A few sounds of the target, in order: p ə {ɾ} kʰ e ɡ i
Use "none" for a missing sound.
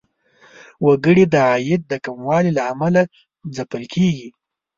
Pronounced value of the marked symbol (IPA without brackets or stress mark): l